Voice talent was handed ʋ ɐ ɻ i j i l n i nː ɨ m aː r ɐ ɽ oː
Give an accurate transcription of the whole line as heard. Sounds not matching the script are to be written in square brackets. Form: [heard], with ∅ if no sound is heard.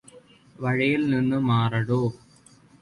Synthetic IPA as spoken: ʋ ɐ ɻ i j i l n i nː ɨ m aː r ɐ ɽ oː